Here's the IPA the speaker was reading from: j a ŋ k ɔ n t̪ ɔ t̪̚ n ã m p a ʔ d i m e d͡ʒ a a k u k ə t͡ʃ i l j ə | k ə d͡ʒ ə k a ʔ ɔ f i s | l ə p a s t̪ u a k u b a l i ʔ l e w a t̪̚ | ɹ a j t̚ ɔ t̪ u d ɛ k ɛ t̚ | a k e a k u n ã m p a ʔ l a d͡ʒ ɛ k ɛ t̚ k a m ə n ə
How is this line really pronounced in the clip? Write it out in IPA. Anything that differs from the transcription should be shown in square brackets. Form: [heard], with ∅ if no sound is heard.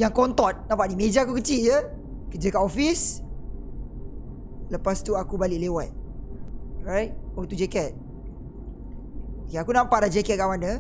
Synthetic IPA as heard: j a ŋ k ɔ n t̪ ɔ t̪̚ n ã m p a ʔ d i m e d͡ʒ a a k u k ə t͡ʃ i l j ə | k ə d͡ʒ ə k a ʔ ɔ f i s | l ə p a s t̪ u a k u b a l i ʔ l e w a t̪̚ | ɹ a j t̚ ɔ t̪ u [d͡ʒ] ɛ k ɛ t̚ | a k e a k u n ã m p a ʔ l a d͡ʒ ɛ k ɛ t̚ k a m [a] n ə